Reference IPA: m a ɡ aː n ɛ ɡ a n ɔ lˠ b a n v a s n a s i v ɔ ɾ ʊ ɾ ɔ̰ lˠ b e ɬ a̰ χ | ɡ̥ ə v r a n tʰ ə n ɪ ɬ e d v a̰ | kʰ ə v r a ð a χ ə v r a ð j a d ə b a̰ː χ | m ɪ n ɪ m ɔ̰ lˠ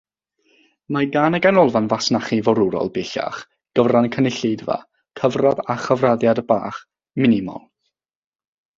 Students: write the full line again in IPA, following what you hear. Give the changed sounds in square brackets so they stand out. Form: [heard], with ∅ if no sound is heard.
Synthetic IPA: m a ɡ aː n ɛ ɡ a n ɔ lˠ [v] a n v a s n a [χ] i v ɔ ɾ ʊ ɾ ɔ̰ lˠ b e ɬ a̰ χ | ɡ̥ ə v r a n [kʰ] ə n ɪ ɬ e d v a̰ | kʰ ə v r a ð a χ ə v r a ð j a d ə b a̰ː χ | m ɪ n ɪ m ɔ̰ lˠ

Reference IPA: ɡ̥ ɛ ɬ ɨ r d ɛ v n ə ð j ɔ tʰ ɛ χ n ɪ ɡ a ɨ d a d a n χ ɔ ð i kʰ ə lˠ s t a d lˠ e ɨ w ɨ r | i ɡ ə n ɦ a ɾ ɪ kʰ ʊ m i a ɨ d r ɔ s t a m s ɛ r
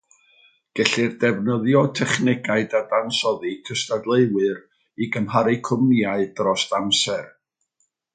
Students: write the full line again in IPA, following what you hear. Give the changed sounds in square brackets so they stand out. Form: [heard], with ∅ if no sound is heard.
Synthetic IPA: ɡ̥ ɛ ɬ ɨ r d ɛ v n ə ð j ɔ tʰ ɛ χ n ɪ ɡ a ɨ d a d a n [s] ɔ ð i kʰ ə [∅] s t a d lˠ e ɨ w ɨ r | i ɡ ə [m] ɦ a ɾ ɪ kʰ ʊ m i a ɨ d r ɔ s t a m s ɛ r

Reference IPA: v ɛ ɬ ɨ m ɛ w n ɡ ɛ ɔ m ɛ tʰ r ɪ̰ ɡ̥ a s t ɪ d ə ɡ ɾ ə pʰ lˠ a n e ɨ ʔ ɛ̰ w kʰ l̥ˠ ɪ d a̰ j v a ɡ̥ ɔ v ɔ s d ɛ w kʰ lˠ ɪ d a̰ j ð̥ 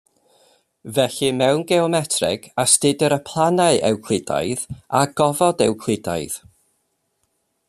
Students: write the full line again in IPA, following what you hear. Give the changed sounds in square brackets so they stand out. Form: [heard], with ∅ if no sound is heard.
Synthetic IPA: v ɛ ɬ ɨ m ɛ w n ɡ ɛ ɔ m ɛ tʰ r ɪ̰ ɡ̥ a s t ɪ d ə [∅] ɾ ə pʰ lˠ a n [a] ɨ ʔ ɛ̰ w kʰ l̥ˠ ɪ d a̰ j [ð] a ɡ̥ ɔ v ɔ [∅] d ɛ w kʰ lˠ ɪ d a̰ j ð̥

